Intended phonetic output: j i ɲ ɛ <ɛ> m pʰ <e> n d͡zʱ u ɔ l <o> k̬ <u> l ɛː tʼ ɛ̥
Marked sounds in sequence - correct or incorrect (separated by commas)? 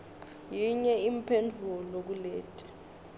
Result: incorrect, correct, correct, correct